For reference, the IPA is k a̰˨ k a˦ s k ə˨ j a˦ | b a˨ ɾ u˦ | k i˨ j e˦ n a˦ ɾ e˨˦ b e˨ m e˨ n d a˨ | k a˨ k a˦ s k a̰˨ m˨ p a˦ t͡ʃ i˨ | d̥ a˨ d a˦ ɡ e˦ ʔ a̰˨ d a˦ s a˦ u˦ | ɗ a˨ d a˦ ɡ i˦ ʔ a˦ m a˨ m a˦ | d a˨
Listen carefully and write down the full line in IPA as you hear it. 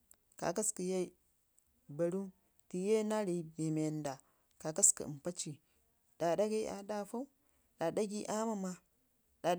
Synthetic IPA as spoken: k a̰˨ k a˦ s k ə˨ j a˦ | b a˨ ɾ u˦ | t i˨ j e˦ n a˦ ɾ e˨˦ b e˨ m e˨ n d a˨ | k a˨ k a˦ s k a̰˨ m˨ p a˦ t͡ʃ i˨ | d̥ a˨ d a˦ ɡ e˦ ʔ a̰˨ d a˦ f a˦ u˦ | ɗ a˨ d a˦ ɡ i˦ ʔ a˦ m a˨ m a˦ | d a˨

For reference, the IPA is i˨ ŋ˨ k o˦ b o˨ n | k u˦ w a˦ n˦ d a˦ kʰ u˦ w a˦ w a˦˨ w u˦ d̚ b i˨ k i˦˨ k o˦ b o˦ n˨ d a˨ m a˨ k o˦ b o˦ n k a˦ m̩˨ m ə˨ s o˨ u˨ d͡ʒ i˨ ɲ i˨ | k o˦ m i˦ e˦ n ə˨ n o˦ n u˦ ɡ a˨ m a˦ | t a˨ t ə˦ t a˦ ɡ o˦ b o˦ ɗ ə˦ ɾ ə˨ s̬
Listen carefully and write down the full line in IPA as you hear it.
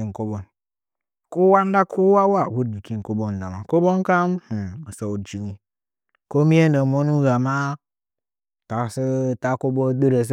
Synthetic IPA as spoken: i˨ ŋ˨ k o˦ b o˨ n | k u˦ w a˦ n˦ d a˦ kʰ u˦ w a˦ w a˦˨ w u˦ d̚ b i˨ k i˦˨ k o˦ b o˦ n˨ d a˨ m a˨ k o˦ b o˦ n k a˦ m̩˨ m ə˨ s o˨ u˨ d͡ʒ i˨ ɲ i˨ | k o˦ m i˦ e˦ n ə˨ m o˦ n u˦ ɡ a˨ m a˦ | t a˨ s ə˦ t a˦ k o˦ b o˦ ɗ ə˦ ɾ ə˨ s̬

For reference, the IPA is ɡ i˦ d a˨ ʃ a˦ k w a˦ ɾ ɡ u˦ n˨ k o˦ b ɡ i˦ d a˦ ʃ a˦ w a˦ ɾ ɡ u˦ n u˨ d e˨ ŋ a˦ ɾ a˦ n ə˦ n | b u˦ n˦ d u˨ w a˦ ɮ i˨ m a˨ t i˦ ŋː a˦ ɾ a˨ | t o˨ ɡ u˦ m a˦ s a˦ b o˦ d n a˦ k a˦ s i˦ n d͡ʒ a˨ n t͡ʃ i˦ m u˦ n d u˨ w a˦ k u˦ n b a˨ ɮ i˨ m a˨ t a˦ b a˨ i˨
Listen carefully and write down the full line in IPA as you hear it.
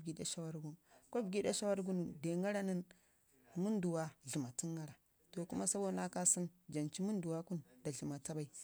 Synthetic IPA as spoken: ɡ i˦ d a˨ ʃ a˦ w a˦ ɾ ɡ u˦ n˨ k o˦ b ɡ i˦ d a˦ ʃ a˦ w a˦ ɾ ɡ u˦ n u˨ d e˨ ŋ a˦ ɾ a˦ n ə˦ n | m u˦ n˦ d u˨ w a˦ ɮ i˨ m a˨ t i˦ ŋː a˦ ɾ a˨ | t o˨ k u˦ m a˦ s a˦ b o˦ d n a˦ k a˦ s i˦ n d͡ʒ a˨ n t͡ʃ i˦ m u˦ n d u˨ w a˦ k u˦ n d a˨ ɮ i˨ m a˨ t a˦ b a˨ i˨

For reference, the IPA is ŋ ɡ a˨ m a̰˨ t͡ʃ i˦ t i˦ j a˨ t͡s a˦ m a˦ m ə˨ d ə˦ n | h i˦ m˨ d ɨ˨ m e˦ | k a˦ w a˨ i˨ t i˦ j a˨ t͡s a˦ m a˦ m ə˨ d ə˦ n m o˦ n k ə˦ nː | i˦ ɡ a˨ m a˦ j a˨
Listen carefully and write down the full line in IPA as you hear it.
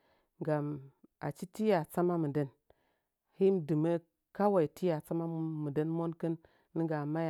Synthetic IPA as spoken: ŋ ɡ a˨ m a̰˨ t͡ʃ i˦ t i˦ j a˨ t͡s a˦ m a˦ m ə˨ d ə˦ n | h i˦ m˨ d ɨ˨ m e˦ | k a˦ w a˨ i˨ t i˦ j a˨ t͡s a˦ m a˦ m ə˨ d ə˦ n m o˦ n k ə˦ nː | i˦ ɡ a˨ m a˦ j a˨

